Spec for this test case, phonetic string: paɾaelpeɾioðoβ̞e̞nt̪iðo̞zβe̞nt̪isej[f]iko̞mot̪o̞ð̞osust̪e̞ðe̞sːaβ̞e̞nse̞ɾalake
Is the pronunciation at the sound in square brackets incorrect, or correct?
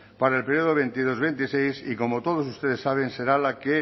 incorrect